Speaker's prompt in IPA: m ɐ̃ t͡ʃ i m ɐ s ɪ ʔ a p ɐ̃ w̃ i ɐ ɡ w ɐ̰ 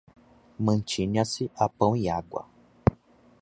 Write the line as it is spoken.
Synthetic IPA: m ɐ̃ t͡ʃ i ɲ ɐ s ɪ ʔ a p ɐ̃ w̃ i a ɡ w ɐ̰